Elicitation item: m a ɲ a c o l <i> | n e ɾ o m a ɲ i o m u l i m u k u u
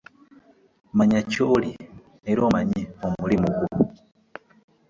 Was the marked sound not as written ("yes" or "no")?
no